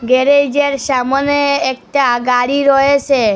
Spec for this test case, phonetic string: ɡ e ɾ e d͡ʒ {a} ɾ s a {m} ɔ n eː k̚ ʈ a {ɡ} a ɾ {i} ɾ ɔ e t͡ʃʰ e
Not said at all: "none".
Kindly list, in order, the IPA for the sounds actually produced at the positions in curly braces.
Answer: e, m, ɡ, i

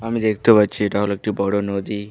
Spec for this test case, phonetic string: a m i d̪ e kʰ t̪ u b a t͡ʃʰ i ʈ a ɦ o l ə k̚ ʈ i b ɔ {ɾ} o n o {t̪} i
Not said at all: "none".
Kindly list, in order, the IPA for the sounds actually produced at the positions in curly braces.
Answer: ɽ, d̪

